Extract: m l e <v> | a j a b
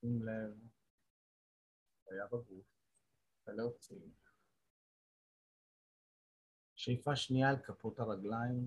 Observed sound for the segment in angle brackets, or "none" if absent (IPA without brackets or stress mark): v